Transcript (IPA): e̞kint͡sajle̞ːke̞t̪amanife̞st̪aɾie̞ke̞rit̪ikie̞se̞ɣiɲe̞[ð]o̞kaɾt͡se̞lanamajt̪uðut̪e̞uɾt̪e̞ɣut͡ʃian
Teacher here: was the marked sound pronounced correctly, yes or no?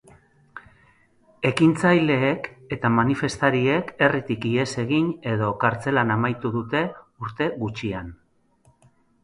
yes